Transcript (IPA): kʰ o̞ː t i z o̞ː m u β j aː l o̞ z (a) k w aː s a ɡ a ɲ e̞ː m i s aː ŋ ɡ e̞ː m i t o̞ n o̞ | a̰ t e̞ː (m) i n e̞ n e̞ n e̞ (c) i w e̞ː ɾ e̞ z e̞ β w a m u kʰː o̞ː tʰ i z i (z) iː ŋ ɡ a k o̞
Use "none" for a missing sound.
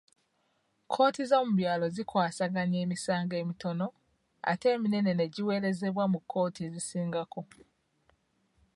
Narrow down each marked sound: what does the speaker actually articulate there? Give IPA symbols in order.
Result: i, m, ɟ, s

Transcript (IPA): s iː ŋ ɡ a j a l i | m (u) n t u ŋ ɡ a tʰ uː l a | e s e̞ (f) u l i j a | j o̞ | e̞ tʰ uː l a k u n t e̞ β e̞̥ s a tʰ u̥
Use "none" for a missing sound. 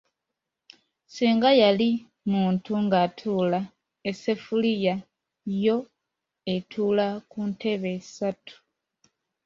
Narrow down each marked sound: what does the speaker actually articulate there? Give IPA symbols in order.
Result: uː, f

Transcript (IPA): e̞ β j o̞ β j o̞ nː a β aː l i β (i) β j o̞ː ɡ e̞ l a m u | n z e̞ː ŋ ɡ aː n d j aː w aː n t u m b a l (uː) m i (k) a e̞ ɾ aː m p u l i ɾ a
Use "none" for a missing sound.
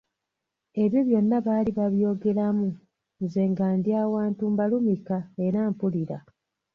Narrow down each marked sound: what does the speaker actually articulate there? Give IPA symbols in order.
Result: a, u, k

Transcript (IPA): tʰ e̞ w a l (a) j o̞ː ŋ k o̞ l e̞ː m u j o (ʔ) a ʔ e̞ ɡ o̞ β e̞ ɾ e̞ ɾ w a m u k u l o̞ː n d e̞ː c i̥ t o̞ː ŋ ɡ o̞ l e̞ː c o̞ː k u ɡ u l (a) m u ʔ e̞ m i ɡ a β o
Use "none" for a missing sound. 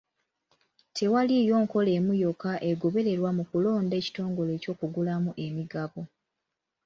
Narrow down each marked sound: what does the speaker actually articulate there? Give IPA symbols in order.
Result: i, k, a

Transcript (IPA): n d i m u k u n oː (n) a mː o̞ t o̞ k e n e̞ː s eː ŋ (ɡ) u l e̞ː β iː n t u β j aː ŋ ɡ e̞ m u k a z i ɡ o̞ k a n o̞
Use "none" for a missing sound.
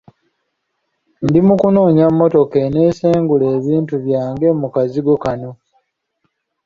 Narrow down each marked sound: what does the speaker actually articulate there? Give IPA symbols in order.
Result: ɲ, ɡ

